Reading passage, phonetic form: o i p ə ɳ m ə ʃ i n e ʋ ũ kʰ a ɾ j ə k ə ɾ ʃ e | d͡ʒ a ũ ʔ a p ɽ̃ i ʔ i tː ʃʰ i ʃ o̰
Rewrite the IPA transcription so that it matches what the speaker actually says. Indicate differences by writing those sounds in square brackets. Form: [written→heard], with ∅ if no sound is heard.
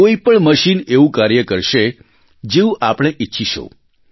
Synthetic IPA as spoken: o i p ə ɳ m ə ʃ i n e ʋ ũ [kʰ→k] a ɾ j ə k ə ɾ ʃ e | d͡ʒ [a→e] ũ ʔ a p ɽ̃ [i→e] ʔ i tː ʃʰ i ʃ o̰